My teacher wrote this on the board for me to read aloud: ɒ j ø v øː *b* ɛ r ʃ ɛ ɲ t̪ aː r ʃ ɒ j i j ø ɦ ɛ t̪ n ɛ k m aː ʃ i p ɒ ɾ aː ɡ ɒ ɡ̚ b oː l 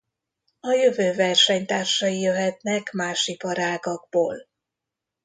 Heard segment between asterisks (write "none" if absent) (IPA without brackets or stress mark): v